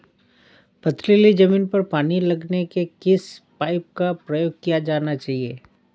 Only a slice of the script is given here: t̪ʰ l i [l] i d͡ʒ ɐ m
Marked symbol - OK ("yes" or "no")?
yes